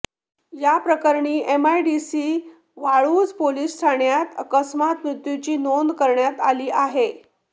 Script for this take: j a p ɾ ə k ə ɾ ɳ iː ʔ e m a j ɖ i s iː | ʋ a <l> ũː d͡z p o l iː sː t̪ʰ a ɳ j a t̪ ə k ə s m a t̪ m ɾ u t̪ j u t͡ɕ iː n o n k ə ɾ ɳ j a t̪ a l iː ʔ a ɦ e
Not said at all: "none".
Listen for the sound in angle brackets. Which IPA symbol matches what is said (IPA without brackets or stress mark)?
ɭ